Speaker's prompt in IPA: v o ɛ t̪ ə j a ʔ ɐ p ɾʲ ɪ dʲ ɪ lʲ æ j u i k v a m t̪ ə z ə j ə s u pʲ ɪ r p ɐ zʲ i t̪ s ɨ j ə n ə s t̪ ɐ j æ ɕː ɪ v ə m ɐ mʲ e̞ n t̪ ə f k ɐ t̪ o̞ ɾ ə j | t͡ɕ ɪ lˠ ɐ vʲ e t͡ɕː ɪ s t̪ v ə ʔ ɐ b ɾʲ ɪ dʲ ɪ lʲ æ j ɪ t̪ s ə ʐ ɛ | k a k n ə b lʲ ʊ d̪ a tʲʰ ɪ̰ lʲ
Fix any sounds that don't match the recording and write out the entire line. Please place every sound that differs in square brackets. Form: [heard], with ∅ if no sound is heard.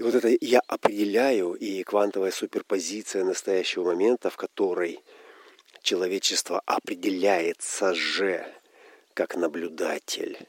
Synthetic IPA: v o ɛ t̪ ə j a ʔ ɐ p ɾʲ ɪ dʲ ɪ lʲ æ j [ʊ] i k v a [n] t̪ ə [v] ə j ə s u pʲ ɪ r p ɐ zʲ i t̪ s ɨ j ə n ə s t̪ ɐ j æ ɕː ɪ v ə m ɐ mʲ e̞ n t̪ ə f k ɐ t̪ o̞ ɾ ə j | t͡ɕ ɪ lˠ ɐ vʲ e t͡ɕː ɪ s t̪ v ə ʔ ɐ [p] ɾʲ ɪ dʲ ɪ lʲ æ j ɪ t̪ s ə ʐ ɛ | k a k n ə b lʲ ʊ d̪ a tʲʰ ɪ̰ lʲ